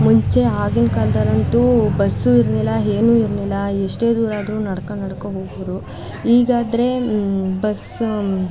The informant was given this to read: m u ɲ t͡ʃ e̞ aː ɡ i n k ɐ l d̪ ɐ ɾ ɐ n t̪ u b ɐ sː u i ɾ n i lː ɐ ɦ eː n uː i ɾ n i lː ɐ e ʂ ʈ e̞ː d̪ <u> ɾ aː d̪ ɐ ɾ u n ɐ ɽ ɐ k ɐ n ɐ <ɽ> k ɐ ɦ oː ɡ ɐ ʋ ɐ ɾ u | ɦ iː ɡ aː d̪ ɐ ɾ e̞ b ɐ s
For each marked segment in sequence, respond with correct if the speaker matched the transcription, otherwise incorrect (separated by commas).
incorrect, correct